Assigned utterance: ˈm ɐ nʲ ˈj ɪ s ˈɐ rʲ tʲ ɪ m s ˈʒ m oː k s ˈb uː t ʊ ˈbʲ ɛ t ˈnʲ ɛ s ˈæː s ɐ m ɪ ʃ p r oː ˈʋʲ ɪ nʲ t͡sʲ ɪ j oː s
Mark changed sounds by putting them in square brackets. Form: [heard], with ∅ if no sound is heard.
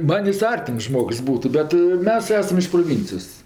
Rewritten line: ˈm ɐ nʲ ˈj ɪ s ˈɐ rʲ tʲ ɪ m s ˈʒ m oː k s ˈb uː t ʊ ˈbʲ ɛ t [ˈmʲ] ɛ s ˈæː s ɐ m ɪ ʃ p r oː ˈʋʲ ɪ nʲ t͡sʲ ɪ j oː s